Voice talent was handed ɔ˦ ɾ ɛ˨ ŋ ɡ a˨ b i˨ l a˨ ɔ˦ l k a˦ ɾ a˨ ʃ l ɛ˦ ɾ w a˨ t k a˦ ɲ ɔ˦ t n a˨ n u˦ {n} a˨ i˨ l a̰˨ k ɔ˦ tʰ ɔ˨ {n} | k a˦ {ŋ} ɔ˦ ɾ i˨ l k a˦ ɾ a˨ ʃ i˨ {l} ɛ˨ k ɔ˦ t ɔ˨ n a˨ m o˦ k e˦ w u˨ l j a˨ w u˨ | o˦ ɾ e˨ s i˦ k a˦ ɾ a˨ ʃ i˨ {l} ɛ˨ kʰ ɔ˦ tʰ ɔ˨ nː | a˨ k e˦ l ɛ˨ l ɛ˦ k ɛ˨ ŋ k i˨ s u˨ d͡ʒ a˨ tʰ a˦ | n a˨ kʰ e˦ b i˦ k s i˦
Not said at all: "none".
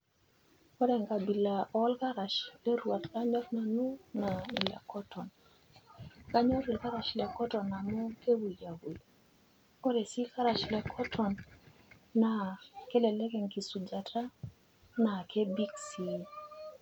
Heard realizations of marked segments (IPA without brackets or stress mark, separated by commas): n, n, ɲ, l, l